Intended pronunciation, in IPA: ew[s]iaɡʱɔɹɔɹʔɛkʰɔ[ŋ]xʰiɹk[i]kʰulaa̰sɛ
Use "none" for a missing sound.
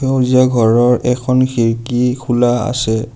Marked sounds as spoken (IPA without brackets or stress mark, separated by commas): z, n, i